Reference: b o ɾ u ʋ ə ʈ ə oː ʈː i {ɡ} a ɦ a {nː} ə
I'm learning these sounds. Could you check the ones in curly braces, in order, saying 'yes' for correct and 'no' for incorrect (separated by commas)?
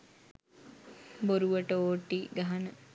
yes, no